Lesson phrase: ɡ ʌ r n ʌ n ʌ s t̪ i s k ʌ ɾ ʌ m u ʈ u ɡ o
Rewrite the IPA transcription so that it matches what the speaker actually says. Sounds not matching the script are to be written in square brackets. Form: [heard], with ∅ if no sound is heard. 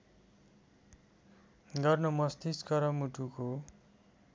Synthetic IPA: ɡ ʌ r n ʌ [m] ʌ s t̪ i s k ʌ ɾ ʌ m u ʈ u [k] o